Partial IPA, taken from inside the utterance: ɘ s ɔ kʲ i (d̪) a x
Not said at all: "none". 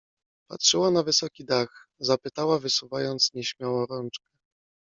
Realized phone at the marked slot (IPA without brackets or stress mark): d̪